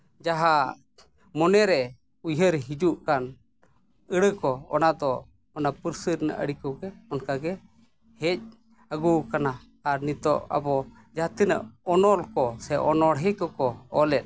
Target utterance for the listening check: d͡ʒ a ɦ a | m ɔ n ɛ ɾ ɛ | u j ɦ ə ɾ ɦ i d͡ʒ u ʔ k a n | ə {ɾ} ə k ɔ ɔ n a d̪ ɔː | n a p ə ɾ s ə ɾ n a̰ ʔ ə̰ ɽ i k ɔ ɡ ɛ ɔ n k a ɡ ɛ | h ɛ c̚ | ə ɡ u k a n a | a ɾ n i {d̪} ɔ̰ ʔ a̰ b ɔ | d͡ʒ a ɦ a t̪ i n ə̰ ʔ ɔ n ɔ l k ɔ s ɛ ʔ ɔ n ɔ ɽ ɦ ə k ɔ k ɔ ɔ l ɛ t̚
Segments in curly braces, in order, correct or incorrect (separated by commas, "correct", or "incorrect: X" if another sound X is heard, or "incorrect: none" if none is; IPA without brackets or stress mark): incorrect: ɽ, incorrect: t̪